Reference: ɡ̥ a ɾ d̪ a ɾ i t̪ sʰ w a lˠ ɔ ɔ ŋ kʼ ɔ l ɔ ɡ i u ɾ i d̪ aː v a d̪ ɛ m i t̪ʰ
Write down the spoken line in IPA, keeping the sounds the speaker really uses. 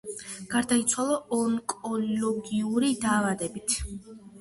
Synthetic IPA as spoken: ɡ̥ a ɾ d̪ a i t̪ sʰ w a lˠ ɔ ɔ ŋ kʼ ɔ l ɔ ɡ i u ɾ i d̪ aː v a d̪ ɛ b i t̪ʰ